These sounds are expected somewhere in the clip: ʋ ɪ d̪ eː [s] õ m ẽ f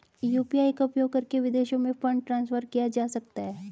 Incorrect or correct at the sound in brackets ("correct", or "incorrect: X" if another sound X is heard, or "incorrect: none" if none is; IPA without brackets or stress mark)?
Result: incorrect: ʃ